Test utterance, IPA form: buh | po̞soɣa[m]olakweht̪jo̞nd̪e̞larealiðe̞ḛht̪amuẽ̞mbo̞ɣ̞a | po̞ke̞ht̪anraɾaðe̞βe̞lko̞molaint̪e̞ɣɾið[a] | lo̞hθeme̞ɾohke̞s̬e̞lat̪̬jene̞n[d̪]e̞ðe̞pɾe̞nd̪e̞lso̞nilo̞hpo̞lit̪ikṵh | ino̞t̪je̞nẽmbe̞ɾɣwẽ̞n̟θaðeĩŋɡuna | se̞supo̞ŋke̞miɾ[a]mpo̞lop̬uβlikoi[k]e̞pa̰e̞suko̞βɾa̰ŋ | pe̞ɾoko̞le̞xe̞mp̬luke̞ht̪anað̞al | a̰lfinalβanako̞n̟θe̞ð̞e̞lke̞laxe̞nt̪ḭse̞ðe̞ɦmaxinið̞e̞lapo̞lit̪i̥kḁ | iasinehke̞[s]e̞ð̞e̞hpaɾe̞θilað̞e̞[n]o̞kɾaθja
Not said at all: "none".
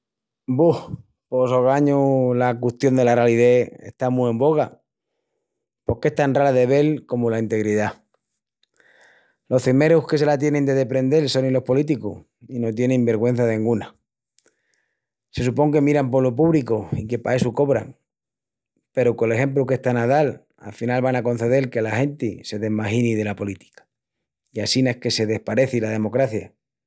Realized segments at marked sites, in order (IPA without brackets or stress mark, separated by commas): ɲ, a, d̪, a, k, s, m